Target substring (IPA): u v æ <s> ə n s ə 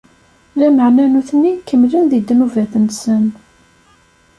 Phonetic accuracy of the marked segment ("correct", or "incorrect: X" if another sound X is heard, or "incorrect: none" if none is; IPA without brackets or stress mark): incorrect: θ